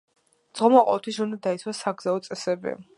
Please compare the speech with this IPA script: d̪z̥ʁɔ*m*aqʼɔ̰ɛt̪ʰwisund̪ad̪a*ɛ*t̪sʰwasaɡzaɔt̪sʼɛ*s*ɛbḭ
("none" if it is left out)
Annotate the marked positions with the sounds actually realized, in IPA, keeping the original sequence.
m, i, s

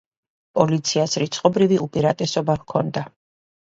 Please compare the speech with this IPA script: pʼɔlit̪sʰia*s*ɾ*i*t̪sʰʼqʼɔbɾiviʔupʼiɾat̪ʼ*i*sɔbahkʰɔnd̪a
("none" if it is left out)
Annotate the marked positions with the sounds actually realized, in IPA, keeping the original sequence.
s, i, ɛ

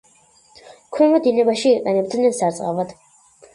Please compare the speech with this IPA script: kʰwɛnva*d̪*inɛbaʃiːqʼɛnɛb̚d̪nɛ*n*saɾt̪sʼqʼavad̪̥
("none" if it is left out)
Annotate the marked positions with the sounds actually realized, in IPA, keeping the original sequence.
d̪, n

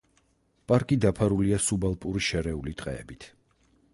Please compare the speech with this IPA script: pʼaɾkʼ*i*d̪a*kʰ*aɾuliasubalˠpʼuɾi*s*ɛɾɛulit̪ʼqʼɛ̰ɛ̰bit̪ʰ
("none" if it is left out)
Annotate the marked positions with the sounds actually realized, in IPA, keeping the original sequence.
i, pʰ, ʃ

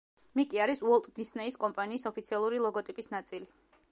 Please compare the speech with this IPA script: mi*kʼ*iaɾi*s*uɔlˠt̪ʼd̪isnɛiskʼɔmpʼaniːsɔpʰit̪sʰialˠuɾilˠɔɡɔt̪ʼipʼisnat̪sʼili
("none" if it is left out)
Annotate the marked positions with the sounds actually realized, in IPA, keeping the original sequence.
kʼ, s

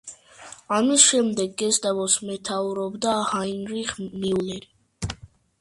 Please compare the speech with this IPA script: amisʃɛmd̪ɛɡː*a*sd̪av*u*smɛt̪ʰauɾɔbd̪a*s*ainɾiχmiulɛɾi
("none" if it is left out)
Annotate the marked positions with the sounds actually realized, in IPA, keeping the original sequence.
ɛ, ɔ, h

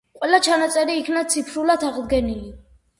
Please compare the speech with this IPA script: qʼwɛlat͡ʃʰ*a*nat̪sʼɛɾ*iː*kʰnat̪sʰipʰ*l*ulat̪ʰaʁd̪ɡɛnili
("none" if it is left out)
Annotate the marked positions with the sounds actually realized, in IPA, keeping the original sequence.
a, iː, ɾ

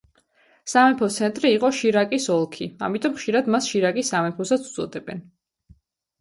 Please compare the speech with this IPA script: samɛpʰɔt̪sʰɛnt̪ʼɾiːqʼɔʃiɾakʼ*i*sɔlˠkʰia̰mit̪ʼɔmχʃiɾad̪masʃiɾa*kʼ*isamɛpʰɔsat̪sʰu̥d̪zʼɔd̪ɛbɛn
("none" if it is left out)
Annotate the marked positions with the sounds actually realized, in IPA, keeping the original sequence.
i, kʼ

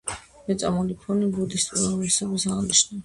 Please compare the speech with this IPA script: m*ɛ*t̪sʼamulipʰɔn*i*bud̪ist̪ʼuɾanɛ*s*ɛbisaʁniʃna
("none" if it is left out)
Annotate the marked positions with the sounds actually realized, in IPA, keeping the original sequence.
ɛ, i, s

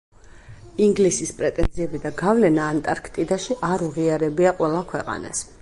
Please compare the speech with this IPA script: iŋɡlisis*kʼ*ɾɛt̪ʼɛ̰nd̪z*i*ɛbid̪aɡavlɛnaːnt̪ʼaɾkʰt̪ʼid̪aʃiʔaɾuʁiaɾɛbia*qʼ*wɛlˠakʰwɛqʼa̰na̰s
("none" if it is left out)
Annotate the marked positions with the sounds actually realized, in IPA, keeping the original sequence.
pʼ, i, qʼ

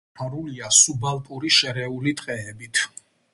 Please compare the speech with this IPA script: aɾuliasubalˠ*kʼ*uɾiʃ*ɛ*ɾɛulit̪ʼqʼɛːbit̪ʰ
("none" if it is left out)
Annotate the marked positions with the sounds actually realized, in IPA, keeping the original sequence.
pʼ, ɛ

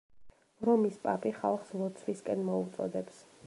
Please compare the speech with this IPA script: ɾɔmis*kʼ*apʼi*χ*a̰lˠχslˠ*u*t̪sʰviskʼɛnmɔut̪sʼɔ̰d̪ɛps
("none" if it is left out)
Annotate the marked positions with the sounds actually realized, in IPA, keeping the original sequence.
pʼ, χ, ɔ

